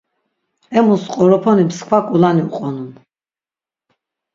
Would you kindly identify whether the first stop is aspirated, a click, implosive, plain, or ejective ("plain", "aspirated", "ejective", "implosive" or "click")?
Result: ejective